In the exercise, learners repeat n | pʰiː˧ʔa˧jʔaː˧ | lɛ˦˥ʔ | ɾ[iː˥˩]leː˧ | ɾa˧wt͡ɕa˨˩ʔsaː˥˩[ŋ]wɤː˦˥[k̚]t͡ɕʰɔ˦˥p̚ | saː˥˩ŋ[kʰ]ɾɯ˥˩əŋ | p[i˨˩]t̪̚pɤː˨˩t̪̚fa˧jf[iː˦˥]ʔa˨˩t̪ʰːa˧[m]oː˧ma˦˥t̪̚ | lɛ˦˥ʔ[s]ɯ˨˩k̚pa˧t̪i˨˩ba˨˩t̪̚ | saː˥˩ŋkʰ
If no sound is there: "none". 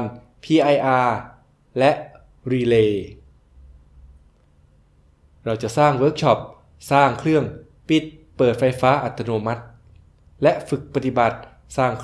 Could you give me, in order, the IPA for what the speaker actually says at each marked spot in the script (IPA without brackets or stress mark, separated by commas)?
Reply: iː˧, ŋ, k̚, kʰ, i˨˩, aː˦˥, n, f